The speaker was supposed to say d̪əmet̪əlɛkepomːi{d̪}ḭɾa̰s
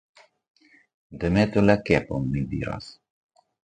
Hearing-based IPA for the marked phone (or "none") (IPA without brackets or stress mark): d̪